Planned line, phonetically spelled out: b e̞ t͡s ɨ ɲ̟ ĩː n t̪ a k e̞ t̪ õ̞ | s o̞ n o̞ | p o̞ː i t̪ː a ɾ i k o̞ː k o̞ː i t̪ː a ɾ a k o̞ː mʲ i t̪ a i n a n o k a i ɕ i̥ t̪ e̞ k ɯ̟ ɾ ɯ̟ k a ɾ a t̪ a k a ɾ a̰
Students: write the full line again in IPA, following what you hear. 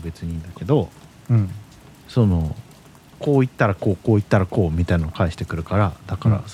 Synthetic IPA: b e̞ t͡s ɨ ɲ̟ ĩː n d̪ a k e̞ d̪ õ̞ | s o̞ n o̞ | k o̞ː i t̪ː a ɾ a k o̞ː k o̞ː i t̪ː a ɾ a k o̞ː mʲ i t̪ a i n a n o k a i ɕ i̥ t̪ e̞ k ɯ̟ ɾ ɯ̟ k a ɾ a d̪ a k a ɾ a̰